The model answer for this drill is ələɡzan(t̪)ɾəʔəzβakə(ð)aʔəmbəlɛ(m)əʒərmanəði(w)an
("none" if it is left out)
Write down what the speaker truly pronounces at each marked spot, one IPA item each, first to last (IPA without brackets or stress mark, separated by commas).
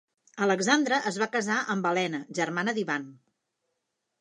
d̪, z, n, β